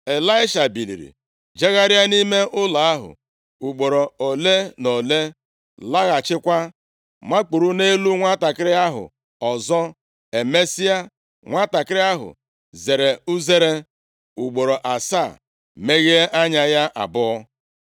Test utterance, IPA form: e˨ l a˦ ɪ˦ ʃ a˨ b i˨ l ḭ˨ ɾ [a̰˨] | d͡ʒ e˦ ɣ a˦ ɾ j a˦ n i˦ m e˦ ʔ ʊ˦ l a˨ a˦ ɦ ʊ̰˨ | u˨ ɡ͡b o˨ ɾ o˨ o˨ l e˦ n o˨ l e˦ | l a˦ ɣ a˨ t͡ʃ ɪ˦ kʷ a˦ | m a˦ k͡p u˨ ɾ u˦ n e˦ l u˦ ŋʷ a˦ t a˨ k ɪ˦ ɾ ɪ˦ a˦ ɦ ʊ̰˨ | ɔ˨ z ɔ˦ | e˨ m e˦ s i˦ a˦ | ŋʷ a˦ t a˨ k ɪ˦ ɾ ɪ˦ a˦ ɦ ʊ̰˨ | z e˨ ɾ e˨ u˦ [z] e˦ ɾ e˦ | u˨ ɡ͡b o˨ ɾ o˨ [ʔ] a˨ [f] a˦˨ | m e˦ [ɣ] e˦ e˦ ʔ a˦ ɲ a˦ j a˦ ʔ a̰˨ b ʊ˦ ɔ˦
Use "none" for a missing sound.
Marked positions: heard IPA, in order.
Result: ḭ˨, z, ʔ, s, ɣ

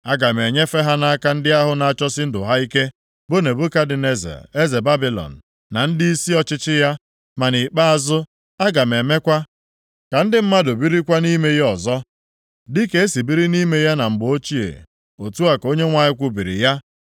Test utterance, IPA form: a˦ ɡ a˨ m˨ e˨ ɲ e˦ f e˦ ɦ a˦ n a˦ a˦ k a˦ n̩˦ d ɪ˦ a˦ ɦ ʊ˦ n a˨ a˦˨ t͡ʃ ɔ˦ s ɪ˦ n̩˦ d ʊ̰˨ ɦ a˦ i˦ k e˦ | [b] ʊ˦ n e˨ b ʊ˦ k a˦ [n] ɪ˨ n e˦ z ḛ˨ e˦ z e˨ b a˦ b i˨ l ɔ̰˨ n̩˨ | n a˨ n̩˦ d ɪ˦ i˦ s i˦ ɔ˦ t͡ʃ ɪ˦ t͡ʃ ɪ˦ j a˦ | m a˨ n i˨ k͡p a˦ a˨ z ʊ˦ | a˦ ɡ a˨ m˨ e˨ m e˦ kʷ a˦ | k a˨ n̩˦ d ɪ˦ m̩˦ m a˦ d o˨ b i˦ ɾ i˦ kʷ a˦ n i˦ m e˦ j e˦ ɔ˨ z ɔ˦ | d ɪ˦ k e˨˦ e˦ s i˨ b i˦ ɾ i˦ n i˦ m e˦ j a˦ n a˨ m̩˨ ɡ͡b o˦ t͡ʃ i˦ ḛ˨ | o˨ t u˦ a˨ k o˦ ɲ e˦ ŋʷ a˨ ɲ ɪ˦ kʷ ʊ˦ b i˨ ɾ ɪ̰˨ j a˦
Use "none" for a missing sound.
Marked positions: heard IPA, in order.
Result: b, d

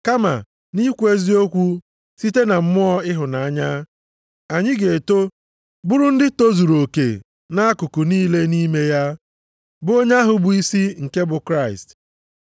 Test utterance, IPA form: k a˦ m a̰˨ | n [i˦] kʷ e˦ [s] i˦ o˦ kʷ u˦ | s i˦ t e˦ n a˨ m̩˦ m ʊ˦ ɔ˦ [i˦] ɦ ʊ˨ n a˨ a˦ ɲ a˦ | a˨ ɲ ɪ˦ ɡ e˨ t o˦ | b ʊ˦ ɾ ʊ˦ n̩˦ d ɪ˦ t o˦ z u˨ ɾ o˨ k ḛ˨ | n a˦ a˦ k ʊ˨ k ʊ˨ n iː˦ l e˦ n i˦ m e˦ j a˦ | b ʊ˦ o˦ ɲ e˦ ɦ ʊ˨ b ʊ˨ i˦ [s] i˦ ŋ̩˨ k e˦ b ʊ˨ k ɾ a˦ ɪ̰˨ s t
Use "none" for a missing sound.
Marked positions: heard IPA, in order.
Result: i˦, z, ɪ˦, s

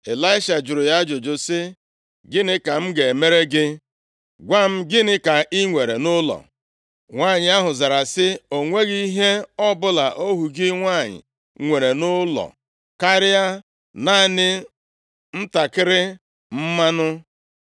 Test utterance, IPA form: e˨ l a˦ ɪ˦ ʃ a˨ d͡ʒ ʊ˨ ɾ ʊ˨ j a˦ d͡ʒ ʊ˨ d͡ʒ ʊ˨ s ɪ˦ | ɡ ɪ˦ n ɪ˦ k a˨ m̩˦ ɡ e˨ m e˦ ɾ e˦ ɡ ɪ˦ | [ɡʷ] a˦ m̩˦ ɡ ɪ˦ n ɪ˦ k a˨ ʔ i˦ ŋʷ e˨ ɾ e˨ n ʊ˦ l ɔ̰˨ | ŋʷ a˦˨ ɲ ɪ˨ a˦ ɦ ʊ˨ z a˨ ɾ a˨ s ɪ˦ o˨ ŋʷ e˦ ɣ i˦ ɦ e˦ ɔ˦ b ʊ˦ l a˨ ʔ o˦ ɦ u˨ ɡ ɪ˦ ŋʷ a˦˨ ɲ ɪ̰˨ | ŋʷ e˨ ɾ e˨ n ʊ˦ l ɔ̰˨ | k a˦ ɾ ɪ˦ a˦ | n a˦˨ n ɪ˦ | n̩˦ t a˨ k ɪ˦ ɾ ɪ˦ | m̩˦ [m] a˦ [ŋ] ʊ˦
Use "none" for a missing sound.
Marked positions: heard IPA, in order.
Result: ɡʷ, m, n

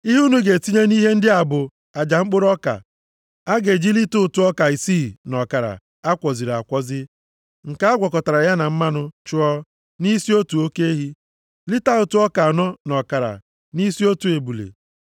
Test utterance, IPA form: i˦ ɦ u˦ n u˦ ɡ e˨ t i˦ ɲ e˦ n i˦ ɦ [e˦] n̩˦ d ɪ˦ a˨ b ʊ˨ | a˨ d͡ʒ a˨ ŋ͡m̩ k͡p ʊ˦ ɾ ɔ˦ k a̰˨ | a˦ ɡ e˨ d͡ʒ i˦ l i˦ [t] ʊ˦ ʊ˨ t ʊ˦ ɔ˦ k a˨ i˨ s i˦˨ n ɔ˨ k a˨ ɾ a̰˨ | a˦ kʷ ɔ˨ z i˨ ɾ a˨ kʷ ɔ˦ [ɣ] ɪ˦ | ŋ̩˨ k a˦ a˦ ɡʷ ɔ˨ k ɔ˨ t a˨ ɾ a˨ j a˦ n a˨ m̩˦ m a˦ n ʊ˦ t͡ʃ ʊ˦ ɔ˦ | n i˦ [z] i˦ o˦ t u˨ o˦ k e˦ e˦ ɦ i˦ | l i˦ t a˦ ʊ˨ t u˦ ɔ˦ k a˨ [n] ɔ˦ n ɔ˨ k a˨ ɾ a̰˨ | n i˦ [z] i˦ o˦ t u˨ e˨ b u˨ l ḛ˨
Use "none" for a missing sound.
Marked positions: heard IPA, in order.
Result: e˦, t, z, s, n, s

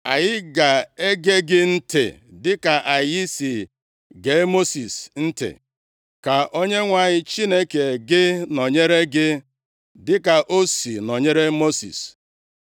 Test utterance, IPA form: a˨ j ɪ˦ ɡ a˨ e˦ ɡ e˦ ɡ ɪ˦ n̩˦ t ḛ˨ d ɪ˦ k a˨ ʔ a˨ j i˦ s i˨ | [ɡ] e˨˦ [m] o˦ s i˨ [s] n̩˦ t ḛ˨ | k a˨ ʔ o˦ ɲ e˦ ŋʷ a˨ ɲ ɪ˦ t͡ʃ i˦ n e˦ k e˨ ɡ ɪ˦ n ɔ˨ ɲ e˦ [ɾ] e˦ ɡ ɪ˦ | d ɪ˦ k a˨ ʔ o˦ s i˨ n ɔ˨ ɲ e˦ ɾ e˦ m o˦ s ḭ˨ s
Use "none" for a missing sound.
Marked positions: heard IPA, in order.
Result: ɡ, m, s, ɾ

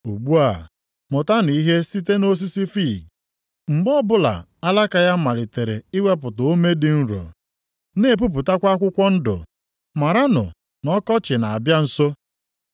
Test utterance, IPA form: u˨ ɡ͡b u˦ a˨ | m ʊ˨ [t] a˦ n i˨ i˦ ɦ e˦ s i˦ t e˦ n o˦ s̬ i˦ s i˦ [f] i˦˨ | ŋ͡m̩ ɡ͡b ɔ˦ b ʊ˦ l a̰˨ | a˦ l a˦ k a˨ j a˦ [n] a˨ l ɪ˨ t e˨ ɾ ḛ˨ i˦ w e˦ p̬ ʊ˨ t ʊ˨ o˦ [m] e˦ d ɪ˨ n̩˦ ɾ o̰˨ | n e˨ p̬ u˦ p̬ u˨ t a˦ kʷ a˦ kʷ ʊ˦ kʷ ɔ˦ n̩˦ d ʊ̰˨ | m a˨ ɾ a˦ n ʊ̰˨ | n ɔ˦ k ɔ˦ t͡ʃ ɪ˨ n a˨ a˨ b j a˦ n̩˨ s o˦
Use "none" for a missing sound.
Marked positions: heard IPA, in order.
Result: t, f, m, m

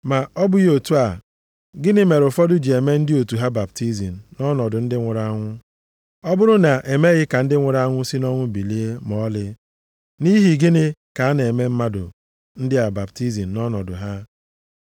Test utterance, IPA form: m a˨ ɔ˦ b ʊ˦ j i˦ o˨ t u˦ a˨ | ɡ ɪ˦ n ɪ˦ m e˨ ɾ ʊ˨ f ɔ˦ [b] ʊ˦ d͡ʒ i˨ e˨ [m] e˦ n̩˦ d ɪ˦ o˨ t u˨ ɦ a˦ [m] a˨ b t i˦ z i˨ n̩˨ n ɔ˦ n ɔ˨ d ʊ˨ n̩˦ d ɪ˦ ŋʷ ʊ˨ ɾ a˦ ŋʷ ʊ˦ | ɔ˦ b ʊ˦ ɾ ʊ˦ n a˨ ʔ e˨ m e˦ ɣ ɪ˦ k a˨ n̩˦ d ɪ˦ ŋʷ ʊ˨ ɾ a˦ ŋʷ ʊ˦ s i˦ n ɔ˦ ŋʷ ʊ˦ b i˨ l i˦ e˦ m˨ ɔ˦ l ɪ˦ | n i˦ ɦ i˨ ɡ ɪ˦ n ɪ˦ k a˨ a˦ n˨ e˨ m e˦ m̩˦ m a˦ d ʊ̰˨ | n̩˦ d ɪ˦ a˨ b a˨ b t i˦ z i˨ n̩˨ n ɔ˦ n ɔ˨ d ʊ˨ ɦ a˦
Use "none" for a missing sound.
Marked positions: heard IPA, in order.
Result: d, m, b

